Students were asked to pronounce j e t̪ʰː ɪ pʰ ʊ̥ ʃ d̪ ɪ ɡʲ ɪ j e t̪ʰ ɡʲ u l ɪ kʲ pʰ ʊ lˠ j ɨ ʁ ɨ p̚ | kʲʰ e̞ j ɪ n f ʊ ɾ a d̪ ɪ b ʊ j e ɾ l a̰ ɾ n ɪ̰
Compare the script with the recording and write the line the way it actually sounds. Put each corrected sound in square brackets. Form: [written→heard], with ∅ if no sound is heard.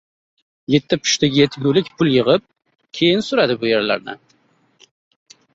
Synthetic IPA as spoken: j e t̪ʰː ɪ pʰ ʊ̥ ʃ [d̪→t̪] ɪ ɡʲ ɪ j e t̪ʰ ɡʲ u l ɪ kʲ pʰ ʊ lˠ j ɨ ʁ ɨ p̚ | kʲʰ e̞ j ɪ n [f→s] ʊ ɾ a d̪ ɪ b ʊ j e ɾ l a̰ ɾ n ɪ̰